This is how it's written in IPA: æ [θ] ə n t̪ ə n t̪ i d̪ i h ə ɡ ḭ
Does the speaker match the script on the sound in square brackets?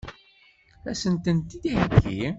no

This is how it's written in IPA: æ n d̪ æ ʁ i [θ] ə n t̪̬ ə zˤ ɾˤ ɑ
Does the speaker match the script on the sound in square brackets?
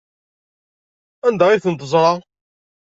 yes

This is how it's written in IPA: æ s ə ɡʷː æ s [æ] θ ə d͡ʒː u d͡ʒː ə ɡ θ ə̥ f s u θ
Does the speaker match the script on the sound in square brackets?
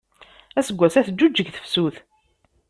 yes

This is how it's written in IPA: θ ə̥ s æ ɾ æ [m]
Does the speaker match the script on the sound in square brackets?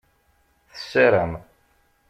yes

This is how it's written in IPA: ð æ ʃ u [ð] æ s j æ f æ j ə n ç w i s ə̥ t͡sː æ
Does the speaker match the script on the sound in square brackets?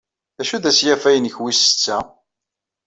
yes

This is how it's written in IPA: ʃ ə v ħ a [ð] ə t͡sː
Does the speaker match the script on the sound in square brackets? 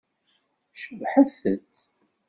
no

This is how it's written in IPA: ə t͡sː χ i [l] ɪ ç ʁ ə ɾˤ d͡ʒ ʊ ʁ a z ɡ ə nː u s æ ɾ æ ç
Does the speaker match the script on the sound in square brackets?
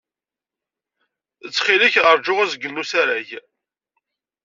yes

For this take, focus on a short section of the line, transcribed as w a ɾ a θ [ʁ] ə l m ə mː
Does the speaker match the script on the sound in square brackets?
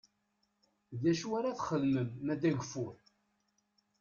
no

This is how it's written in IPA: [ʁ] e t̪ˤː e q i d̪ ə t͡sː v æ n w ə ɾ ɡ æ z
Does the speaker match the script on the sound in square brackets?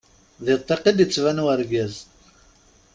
no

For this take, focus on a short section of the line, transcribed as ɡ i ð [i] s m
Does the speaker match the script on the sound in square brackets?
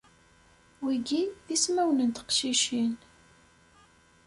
yes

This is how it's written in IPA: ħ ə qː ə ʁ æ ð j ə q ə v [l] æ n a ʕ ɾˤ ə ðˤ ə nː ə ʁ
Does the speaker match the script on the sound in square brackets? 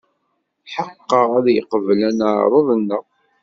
yes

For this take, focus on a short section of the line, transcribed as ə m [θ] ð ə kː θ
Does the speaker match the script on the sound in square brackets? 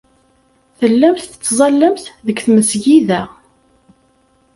yes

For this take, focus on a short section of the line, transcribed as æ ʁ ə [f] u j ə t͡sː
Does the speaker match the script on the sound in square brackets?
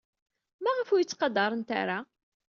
yes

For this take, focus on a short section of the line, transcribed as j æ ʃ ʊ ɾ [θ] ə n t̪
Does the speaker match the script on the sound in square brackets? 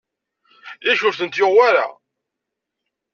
yes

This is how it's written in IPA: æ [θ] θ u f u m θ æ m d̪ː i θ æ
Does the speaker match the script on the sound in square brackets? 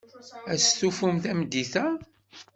no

